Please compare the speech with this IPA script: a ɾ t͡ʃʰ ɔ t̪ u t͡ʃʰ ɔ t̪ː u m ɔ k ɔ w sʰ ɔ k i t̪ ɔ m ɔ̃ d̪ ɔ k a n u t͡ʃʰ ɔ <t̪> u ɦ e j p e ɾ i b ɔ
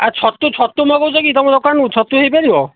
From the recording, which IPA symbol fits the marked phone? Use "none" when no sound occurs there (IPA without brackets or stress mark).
t̪